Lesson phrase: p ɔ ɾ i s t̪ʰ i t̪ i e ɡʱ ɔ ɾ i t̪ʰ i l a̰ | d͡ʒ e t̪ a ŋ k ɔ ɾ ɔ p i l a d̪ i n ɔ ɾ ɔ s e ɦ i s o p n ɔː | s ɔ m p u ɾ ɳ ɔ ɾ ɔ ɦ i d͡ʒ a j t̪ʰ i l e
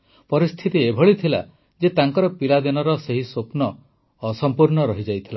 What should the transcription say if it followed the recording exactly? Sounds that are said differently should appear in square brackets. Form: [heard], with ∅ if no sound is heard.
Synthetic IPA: p ɔ ɾ i s t̪ʰ i t̪ i e [bʱ] ɔ [ɭ] i t̪ʰ i l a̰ | d͡ʒ e t̪ a ŋ k ɔ ɾ ɔ p i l a d̪ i n ɔ ɾ ɔ s e ɦ i s o p n ɔː | s ɔ m p u ɾ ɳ ɔ ɾ ɔ ɦ i d͡ʒ a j t̪ʰ i l [a]

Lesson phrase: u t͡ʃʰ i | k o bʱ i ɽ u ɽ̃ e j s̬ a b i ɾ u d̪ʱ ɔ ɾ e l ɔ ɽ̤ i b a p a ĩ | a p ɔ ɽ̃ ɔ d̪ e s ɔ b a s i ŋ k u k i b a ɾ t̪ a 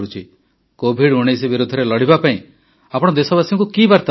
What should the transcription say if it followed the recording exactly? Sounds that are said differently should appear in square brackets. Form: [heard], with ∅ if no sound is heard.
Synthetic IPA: u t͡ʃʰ i | k o bʱ i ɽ u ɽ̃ e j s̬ [i] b i ɾ u d̪ʱ ɔ ɾ e l ɔ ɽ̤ i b a p a ĩ | a p ɔ ɽ̃ ɔ d̪ e s ɔ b a s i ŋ k u k i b a ɾ t̪ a

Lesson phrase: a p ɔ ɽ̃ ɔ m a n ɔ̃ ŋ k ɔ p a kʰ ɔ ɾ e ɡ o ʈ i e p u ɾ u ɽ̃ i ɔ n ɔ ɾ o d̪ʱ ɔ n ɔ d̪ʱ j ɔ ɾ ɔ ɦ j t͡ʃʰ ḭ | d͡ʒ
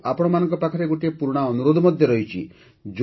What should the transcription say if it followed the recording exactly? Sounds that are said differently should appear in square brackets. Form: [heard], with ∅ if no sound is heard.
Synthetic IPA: a p ɔ ɽ̃ ɔ m a n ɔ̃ ŋ k ɔ p a kʰ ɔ ɾ e ɡ o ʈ i e p u ɾ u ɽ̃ [a] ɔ n [u] ɾ o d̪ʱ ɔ [m] ɔ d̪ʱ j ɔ ɾ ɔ ɦ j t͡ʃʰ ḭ | d͡ʒ

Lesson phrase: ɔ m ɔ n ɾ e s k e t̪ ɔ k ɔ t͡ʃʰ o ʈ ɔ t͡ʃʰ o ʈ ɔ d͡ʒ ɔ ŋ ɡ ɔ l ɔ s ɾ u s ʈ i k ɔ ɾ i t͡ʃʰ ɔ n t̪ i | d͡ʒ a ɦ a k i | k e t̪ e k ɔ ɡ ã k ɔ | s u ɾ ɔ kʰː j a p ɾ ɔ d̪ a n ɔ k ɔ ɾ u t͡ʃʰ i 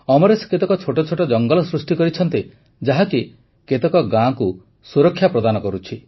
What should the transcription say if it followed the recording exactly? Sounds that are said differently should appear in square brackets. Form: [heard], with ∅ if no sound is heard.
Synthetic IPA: ɔ m ɔ [∅] ɾ e s k e t̪ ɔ k ɔ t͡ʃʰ o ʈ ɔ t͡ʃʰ o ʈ ɔ d͡ʒ ɔ ŋ ɡ ɔ l ɔ s ɾ u s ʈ i k ɔ ɾ i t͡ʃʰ ɔ n t̪ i | d͡ʒ a ɦ a k i | k e t̪ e k ɔ ɡ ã k [u] | s u ɾ ɔ kʰː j a p ɾ ɔ d̪ a n ɔ k ɔ ɾ u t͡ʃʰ i

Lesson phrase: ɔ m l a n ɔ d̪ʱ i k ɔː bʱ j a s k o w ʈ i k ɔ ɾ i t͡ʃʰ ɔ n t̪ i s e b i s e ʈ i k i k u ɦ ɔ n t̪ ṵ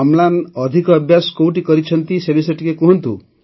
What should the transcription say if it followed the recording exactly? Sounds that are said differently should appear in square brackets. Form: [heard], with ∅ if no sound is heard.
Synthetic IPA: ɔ m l a n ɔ d̪ʱ i k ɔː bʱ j a s k o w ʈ i k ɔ ɾ i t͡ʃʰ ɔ n t̪ i s e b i s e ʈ i k [e] k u ɦ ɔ n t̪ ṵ

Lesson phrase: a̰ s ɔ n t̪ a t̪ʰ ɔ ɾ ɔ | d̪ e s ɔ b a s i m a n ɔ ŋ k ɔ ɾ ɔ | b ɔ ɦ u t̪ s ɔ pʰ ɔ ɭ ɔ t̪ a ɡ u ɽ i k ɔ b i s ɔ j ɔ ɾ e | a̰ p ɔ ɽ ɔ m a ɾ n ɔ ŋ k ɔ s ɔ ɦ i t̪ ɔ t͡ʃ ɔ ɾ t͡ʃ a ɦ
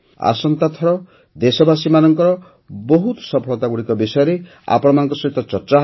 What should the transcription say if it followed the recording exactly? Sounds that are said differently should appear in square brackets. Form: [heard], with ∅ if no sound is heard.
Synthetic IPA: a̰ s ɔ n t̪ a t̪ʰ ɔ ɾ ɔ | d̪ e s ɔ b a s i m a n ɔ ŋ k ɔ ɾ ɔ | b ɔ ɦ u t̪ s ɔ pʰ ɔ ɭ ɔ t̪ a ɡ u ɽ i k ɔ b i s ɔ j ɔ ɾ e | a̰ p ɔ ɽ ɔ m a [∅] n ɔ ŋ k ɔ s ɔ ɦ i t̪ ɔ t͡ʃ ɔ ɾ t͡ʃ a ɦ

